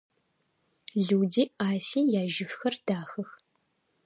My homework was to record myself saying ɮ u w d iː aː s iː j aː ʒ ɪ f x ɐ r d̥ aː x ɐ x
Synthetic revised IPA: ɮ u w d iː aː s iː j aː ʒ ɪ f x ɐ r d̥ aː x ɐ x